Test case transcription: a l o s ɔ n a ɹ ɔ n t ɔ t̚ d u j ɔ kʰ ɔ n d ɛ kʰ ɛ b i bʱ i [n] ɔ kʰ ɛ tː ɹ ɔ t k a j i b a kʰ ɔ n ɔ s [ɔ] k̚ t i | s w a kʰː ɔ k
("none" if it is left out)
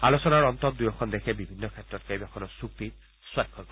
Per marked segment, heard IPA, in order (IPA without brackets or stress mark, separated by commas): nː, u